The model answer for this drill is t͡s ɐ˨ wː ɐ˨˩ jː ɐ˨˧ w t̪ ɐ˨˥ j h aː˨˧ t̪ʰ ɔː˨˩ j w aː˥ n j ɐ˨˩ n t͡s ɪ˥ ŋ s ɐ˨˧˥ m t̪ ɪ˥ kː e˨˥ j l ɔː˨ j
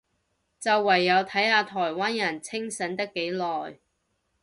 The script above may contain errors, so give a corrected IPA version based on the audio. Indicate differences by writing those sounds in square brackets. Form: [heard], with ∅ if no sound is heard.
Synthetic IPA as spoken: t͡s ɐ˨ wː ɐ˨˩ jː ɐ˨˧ w [t̪ʰ] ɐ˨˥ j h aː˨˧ t̪ʰ ɔː˨˩ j w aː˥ n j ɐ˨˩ n [t͡sʰ] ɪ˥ ŋ s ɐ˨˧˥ [n] t̪ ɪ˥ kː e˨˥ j l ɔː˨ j